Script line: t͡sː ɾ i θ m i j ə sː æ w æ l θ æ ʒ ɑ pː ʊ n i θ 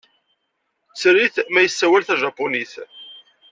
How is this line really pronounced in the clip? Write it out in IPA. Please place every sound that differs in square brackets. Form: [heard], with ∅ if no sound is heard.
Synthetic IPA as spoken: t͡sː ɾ i θ m [æ] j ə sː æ w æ l θ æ ʒ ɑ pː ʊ n i θ

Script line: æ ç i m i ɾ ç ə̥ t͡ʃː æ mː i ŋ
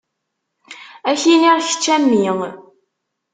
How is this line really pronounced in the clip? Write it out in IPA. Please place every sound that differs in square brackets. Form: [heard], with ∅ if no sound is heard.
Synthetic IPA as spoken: æ ç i [n] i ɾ ç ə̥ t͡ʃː æ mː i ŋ

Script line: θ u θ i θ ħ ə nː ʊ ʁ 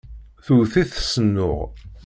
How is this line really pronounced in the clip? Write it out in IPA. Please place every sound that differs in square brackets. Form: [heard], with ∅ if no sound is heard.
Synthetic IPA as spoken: θ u θ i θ [s] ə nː ʊ ʁ

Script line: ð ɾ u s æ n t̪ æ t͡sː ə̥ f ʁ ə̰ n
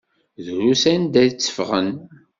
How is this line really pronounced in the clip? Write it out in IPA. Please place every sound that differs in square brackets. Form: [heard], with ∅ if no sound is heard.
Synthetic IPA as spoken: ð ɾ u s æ n [d̪] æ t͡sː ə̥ f ʁ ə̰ n

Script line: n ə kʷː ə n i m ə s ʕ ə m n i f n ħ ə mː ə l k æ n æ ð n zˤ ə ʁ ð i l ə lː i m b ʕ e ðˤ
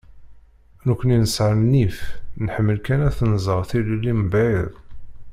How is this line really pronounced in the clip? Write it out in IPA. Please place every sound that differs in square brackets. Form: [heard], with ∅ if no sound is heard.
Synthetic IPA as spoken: n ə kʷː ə n i [n] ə s ʕ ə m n i f n ħ ə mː ə l k æ n æ [θ] n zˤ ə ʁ [θ] i l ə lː i m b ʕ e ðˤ

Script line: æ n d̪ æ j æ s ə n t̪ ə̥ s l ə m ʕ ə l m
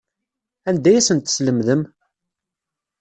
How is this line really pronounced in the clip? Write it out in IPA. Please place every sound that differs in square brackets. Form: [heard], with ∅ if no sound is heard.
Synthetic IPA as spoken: æ n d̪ æ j æ s ə n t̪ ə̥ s l ə m [ð] ə [∅] m

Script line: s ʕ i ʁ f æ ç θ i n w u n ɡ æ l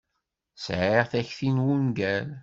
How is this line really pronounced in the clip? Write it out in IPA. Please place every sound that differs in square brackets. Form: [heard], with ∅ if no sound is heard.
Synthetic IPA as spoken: s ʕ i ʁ [θ] æ ç θ i n w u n ɡ æ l

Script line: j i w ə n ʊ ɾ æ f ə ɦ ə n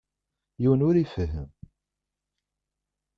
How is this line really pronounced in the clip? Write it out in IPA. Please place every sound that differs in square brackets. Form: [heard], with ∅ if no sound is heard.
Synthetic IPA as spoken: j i w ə n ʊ ɾ [i] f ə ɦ ə [m]

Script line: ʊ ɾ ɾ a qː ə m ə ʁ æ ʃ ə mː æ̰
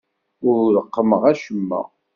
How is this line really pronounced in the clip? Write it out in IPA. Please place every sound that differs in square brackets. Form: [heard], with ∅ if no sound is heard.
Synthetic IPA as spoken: ʊ ɾ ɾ [ə] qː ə m ə ʁ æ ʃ ə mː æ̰

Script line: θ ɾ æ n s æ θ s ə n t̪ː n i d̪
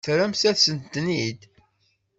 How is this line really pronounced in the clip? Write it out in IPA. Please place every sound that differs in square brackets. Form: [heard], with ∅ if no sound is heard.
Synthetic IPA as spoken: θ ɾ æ [m] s æ θ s ə n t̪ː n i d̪

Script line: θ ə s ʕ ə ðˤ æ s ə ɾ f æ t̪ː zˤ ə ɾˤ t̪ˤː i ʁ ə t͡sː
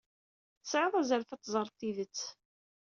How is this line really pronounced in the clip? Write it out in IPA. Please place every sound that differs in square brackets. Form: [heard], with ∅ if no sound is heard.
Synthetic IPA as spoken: θ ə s ʕ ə ðˤ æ [z] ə ɾ f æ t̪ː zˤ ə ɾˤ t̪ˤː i [ð] ə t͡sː

